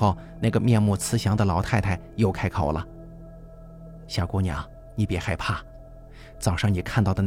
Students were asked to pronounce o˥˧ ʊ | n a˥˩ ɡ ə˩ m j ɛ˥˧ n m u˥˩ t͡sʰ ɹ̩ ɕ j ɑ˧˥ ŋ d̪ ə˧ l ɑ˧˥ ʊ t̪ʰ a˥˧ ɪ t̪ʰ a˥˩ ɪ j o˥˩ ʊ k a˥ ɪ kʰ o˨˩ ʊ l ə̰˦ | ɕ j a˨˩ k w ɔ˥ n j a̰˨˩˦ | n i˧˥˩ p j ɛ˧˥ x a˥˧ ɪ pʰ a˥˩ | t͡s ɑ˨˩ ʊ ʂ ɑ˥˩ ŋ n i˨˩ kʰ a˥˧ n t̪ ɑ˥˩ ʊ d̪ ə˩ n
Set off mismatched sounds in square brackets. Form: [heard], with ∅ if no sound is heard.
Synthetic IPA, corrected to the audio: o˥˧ ʊ | n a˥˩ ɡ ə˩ m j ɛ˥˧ n m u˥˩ t͡sʰ ɹ̩ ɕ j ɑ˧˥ ŋ d̪ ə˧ l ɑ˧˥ ʊ t̪ʰ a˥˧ ɪ t̪ʰ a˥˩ ɪ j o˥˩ ʊ [kʰ] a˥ ɪ kʰ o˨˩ ʊ l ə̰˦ | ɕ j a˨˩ k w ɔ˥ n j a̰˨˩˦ | n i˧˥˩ p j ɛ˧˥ x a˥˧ ɪ pʰ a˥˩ | t͡s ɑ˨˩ ʊ ʂ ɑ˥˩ ŋ n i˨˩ kʰ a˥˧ n t̪ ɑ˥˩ ʊ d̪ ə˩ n